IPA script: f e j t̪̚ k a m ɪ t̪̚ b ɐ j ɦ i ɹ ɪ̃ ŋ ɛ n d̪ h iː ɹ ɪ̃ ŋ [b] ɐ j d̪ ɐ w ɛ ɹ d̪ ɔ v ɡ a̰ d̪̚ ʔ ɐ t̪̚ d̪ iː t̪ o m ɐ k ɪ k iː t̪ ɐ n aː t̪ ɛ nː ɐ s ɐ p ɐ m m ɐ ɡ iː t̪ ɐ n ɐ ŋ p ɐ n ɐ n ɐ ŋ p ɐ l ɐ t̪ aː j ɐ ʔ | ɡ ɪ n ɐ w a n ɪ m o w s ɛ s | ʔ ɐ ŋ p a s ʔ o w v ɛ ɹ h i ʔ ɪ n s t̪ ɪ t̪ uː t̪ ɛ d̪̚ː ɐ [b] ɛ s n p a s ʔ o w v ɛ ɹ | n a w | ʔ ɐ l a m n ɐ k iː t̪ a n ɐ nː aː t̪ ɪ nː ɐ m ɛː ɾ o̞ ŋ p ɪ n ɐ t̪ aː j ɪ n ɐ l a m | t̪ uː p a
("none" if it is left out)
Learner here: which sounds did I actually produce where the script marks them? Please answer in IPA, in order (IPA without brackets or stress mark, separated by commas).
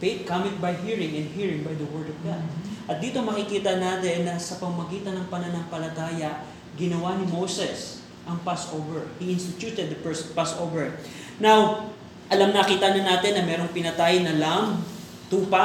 b, p